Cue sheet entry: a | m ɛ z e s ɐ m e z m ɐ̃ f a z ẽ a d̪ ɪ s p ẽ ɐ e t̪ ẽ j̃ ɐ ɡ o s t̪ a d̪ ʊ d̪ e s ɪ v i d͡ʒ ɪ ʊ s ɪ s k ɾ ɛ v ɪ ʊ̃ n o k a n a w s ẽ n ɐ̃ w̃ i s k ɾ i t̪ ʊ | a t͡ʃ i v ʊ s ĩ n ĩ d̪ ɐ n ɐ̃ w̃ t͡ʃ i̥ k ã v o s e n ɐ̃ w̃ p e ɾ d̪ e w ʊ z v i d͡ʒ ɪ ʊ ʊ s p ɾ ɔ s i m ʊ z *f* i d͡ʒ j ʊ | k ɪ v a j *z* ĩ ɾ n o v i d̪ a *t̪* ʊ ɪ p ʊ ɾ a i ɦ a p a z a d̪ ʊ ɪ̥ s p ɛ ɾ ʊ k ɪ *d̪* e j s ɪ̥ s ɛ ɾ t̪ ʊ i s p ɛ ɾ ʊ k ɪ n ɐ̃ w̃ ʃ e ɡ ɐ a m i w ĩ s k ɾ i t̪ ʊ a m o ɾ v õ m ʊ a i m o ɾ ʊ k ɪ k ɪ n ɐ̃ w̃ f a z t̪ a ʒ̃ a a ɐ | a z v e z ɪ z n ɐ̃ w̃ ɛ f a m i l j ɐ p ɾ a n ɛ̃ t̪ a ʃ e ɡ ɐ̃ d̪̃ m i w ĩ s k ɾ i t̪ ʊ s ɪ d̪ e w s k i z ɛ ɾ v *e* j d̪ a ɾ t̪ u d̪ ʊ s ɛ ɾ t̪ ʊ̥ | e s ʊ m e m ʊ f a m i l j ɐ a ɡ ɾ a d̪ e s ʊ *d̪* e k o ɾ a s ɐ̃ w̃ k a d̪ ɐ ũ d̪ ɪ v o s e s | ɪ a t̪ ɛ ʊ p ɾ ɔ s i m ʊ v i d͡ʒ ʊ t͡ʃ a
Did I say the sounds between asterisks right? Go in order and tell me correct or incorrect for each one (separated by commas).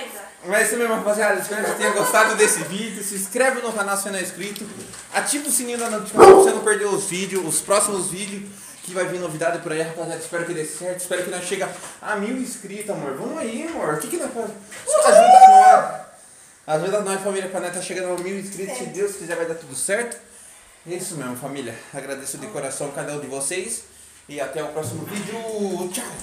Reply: incorrect, incorrect, incorrect, correct, incorrect, correct